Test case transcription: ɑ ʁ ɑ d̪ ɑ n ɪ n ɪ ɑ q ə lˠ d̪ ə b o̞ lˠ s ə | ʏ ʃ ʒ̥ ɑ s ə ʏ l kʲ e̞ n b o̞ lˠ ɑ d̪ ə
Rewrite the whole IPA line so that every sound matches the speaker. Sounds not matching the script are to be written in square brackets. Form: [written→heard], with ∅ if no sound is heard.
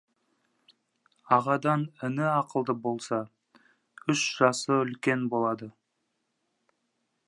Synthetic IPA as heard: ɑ ʁ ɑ d̪ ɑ n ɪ n ɪ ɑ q ə lˠ d̪ ə b o̞ lˠ s [ə→ɑ] | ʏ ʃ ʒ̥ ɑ s ə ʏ l kʲ e̞ n b o̞ lˠ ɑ d̪ ə